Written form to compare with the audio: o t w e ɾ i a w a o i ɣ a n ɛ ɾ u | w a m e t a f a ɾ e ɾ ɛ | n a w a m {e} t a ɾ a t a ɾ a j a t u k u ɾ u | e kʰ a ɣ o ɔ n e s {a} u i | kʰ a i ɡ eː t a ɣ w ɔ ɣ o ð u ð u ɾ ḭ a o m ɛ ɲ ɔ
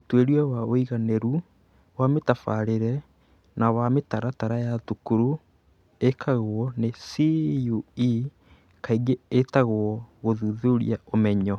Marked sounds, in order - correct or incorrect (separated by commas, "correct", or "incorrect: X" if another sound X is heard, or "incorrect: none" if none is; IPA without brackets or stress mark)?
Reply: correct, incorrect: i